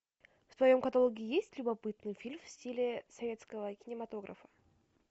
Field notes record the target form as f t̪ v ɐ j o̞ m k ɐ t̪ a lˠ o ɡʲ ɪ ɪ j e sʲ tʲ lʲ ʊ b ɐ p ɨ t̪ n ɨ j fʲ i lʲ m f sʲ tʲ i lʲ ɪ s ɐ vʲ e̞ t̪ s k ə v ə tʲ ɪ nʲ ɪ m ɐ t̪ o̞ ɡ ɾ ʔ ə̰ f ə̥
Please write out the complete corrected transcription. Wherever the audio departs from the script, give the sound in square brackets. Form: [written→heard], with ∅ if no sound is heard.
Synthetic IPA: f t̪ v ɐ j o̞ m k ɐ t̪ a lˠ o ɡʲ ɪ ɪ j e sʲ tʲ lʲ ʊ b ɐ p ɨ t̪ n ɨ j fʲ i lʲ m f sʲ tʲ i lʲ ɪ s ɐ vʲ e̞ t̪ s k ə v ə [tʲ→kʲ] ɪ nʲ ɪ m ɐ t̪ o̞ ɡ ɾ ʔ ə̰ f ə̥